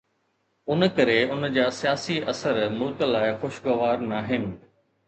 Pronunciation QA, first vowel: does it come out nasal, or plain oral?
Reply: oral